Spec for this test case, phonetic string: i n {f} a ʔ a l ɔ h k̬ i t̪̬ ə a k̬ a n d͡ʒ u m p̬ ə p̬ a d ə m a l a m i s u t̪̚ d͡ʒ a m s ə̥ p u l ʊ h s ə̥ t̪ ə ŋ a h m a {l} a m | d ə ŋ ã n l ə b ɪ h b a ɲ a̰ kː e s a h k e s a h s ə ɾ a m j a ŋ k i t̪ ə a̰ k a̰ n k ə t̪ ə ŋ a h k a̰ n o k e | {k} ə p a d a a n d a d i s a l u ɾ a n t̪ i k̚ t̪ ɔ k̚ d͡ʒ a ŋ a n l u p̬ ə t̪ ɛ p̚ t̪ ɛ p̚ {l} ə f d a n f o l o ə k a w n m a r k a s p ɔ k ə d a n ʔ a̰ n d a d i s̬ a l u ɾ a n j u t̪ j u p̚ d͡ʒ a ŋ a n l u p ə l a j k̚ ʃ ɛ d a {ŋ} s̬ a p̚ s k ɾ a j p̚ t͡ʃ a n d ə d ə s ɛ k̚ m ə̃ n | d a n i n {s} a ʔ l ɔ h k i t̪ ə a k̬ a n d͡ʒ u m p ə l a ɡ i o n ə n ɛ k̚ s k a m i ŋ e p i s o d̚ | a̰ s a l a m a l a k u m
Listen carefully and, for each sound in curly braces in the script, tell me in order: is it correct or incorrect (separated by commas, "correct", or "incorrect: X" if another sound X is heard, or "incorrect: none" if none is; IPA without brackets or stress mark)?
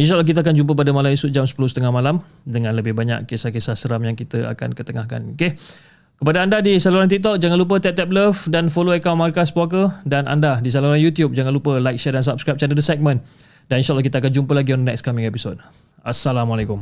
incorrect: ʃ, correct, correct, correct, incorrect: n, incorrect: ʃ